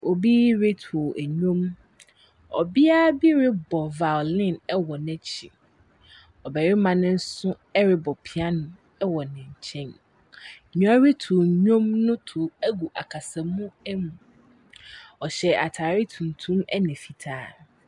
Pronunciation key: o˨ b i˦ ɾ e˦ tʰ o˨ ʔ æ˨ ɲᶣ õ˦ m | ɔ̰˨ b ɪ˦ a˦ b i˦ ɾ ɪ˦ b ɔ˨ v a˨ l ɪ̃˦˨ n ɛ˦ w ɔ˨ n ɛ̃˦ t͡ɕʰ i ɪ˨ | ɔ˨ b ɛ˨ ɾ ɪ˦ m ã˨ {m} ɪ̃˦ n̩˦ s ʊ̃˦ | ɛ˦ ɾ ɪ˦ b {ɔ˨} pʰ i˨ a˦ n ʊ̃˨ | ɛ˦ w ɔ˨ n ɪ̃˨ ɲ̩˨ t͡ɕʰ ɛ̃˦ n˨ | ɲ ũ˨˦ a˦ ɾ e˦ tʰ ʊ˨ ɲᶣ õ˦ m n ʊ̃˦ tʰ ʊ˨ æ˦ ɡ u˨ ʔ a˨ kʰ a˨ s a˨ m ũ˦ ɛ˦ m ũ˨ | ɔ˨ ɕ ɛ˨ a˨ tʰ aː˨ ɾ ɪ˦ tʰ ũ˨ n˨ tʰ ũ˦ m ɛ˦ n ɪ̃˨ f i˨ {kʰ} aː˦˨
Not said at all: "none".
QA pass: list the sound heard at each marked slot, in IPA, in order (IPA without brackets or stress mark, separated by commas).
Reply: n, ɔ˨, tʰ